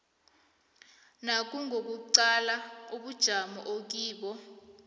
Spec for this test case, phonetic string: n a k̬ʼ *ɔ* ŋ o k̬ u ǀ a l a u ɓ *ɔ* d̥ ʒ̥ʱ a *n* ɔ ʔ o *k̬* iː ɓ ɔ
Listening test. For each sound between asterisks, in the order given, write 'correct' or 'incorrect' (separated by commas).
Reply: incorrect, incorrect, incorrect, correct